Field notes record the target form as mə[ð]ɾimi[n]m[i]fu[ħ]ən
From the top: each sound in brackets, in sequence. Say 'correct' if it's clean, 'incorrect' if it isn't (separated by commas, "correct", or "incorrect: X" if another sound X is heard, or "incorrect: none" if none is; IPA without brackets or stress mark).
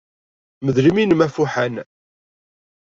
correct, correct, incorrect: æ, correct